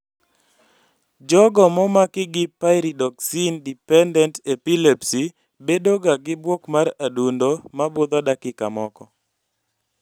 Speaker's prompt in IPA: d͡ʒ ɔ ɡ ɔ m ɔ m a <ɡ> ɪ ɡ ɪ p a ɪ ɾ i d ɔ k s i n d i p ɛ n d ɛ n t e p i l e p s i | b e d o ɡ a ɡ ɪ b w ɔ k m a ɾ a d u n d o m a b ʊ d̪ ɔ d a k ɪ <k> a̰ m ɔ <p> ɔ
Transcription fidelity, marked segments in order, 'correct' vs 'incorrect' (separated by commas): incorrect, correct, incorrect